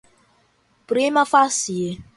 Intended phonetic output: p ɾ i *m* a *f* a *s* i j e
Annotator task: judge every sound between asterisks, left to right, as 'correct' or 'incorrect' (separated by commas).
correct, correct, correct